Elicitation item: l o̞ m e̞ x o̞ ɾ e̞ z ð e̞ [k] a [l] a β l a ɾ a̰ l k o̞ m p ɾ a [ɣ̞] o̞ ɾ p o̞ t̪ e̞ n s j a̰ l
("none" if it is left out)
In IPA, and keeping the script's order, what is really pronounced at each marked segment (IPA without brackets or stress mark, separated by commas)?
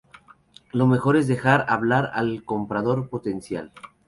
x, ɾ, ð̞